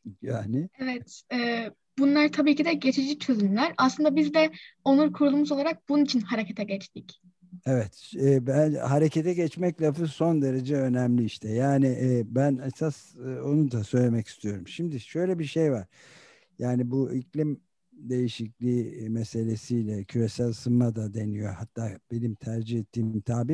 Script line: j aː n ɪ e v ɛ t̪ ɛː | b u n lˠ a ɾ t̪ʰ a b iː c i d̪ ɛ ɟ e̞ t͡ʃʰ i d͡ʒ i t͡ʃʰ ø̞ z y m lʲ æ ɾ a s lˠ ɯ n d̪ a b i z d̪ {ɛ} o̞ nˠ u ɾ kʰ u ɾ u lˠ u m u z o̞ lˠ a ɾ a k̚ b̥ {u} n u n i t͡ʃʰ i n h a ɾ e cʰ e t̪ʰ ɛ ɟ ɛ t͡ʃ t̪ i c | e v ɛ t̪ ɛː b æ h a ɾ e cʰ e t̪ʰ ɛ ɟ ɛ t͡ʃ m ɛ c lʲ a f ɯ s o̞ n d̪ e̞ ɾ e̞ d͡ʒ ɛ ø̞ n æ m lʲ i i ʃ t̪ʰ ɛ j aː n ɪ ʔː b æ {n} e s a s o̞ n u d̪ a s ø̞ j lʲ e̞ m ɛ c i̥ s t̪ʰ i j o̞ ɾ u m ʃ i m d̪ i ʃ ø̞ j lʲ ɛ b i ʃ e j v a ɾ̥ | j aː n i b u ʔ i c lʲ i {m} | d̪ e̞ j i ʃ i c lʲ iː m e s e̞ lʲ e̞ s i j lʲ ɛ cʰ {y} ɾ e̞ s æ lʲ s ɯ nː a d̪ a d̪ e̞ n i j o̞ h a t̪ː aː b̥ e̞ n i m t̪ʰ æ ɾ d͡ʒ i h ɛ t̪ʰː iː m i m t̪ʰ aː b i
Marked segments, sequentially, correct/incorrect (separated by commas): correct, correct, correct, correct, correct